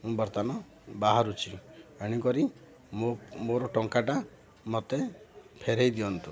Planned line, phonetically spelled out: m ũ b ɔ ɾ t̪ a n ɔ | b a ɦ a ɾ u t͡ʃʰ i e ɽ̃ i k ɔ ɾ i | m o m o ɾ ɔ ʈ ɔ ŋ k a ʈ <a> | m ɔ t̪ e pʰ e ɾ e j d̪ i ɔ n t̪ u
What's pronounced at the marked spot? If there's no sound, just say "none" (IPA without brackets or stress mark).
a